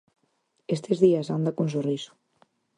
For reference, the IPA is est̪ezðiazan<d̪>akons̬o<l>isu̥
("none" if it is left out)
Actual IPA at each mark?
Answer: d̪, r

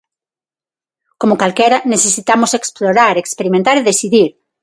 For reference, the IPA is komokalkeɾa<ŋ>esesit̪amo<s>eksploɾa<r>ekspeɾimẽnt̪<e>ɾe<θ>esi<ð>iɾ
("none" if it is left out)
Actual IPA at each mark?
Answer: n, s, ɾ, a, ð, ð

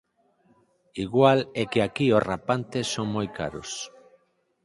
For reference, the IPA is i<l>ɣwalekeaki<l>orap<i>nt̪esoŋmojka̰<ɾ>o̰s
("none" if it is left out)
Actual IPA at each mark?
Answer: none, none, a, ɾ

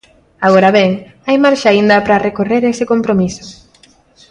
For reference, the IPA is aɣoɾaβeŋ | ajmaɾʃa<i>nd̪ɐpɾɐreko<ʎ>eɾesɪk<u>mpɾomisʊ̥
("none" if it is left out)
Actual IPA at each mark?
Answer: i, r, o

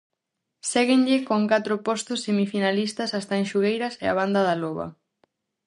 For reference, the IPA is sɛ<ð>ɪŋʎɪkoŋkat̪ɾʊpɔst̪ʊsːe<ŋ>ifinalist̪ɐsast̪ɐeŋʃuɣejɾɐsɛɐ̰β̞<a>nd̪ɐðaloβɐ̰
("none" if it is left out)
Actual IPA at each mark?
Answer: ɣ, m, a

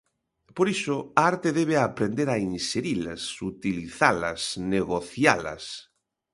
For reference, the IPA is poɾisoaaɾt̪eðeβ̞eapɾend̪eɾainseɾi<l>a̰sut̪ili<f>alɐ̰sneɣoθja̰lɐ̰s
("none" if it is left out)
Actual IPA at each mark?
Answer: l, θ

